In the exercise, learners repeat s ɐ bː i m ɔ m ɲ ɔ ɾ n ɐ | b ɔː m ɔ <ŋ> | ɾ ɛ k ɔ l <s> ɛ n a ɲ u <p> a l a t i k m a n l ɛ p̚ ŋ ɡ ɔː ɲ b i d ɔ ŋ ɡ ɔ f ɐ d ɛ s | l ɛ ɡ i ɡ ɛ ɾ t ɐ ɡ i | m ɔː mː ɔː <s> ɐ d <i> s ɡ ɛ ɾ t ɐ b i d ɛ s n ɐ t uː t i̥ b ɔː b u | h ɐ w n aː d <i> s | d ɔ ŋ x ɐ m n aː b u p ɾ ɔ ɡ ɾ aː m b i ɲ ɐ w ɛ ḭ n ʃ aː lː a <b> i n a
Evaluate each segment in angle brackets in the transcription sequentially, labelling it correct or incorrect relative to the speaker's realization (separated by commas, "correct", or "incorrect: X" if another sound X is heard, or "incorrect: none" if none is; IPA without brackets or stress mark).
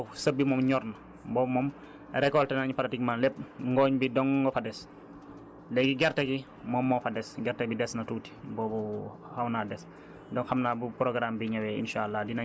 incorrect: m, incorrect: t, correct, incorrect: f, incorrect: ɛ, incorrect: ɛ, incorrect: d